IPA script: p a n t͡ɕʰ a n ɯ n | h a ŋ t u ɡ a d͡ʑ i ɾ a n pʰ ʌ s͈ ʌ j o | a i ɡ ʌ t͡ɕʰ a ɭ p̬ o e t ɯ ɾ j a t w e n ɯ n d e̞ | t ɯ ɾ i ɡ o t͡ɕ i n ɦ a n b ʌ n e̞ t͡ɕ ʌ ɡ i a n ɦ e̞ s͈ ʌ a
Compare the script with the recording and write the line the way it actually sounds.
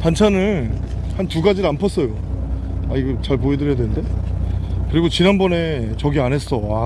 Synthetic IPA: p a n t͡ɕʰ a n ɯ n | h a n t u ɡ a d͡ʑ i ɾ a n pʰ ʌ s͈ ʌ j o | a i ɡ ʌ t͡ɕ a ɭ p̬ o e d ɯ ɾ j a d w e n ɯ n d e̞ | k ɯ ɾ i ɡ o t͡ɕ i n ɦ a n b ʌ n e̞ t͡ɕ ʌ ɡ i a n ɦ e̞ s͈ ʌ a